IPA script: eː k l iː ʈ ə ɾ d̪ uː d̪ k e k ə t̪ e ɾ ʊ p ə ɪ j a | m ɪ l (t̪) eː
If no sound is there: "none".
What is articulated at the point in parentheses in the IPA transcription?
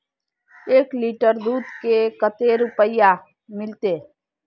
t̪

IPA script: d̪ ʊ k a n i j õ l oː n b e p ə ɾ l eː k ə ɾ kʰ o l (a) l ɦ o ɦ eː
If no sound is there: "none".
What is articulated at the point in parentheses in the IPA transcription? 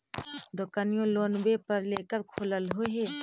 ə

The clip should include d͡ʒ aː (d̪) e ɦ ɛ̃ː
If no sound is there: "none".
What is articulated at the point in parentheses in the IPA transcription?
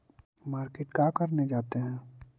t̪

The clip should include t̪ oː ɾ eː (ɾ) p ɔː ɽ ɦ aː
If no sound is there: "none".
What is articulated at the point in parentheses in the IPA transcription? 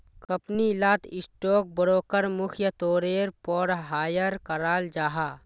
ɾ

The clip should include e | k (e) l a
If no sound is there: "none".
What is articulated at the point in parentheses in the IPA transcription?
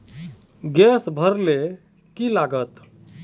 i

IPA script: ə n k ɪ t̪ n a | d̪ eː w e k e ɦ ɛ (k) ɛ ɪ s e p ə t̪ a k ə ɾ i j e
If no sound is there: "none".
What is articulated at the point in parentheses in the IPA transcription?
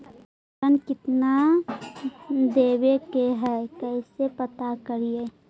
k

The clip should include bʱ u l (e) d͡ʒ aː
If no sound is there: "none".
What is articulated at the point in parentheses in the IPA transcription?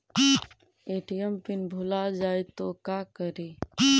a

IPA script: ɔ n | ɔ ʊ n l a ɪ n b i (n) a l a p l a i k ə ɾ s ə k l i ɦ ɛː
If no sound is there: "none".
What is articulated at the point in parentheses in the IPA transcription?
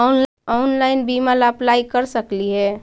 m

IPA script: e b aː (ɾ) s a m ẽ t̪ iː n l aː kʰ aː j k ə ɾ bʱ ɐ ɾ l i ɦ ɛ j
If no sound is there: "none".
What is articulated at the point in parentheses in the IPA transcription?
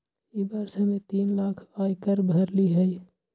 ɾ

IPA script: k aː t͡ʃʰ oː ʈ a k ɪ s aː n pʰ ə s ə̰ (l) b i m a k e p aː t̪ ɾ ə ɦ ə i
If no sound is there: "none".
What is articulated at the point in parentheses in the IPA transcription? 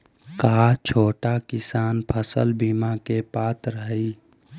l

